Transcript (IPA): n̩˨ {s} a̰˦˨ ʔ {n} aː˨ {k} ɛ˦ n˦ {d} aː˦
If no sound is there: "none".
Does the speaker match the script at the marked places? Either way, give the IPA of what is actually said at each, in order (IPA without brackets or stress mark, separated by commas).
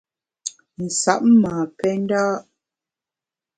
s, m, p, d